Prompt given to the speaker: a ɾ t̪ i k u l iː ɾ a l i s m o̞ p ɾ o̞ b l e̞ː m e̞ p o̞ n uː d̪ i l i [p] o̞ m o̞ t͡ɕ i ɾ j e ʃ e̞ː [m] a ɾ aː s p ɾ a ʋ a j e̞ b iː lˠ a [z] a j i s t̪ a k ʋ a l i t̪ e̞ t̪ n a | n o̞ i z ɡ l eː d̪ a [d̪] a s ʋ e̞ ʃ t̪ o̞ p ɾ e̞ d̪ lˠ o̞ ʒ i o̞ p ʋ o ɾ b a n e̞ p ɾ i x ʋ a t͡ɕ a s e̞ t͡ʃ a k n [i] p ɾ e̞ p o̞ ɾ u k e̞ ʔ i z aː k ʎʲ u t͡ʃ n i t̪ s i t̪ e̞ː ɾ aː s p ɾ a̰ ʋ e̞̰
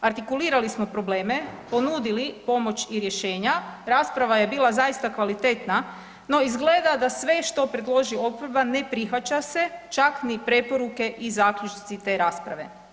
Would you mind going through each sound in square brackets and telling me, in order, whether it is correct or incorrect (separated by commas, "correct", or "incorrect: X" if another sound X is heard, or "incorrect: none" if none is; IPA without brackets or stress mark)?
correct, incorrect: ɲ, correct, correct, correct